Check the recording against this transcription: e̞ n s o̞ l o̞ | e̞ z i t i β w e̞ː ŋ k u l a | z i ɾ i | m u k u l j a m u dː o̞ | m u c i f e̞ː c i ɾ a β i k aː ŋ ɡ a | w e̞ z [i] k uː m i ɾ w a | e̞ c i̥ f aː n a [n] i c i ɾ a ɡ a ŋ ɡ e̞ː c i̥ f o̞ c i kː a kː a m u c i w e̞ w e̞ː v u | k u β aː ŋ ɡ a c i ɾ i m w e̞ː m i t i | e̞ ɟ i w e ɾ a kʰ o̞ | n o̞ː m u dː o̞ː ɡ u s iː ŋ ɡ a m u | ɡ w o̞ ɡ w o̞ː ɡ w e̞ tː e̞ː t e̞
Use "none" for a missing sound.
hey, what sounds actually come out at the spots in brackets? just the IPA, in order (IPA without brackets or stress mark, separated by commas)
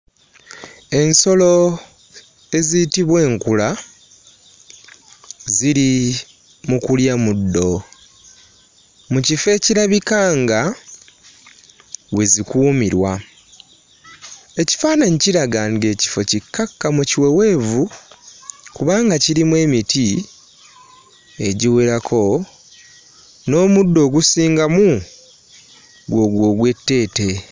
i, ɲ